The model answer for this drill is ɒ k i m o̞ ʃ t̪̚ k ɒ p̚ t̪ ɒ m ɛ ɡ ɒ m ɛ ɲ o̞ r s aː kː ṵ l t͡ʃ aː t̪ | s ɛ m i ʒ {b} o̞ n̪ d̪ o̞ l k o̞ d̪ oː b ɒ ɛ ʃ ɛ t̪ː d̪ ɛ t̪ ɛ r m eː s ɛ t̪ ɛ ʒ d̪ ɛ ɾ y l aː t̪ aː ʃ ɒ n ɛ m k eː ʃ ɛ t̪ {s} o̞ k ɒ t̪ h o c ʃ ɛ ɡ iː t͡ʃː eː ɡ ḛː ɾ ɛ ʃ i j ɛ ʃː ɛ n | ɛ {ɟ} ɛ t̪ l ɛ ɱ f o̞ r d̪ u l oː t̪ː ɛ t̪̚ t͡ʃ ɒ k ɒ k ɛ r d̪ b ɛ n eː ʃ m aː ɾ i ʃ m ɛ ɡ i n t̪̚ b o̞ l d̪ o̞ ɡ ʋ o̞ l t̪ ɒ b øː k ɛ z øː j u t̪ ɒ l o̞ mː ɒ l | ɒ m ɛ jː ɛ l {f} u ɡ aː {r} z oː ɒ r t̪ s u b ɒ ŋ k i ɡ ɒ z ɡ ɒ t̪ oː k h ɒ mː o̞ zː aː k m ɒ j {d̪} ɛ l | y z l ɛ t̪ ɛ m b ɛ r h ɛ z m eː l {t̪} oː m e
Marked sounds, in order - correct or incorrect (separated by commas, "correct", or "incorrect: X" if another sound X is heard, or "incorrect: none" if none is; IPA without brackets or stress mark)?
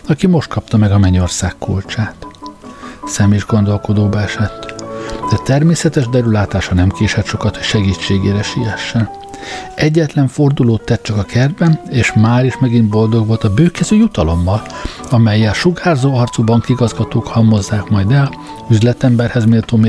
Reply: incorrect: ɡ, incorrect: ʃ, incorrect: ɟː, incorrect: ʃ, correct, correct, correct